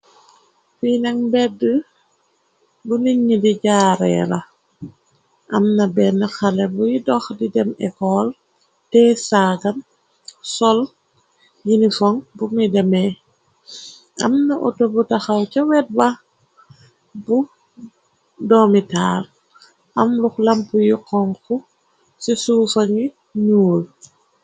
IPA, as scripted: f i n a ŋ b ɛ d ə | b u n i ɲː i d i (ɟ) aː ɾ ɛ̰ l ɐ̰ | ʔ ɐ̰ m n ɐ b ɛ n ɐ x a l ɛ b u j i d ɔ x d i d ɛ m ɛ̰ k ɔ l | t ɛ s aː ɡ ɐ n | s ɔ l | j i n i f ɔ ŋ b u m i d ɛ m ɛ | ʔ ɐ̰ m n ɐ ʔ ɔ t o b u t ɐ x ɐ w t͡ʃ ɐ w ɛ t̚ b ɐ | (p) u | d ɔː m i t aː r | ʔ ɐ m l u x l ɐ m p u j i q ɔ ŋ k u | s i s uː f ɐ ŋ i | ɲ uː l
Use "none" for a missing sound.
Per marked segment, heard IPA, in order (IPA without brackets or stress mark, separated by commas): ɟ, b